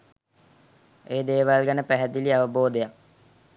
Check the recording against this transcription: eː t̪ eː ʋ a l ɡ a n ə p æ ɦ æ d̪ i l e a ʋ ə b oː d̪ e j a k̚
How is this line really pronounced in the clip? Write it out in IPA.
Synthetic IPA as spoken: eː d̪ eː ʋ a l ɡ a n ə p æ ɦ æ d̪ i l i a ʋ ə b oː d̪ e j a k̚

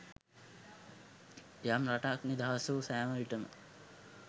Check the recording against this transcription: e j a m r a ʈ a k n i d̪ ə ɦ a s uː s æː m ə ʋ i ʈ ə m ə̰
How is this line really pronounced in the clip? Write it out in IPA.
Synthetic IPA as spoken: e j a m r a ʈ a k n i d̪ a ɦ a s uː s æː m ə ʋ i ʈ ə m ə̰

